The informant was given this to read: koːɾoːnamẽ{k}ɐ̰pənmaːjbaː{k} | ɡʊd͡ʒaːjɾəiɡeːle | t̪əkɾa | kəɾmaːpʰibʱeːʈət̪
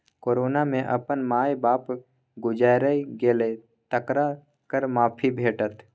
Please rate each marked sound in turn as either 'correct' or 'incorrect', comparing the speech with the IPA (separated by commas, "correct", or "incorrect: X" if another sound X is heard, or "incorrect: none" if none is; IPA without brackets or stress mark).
incorrect: ʔ, incorrect: p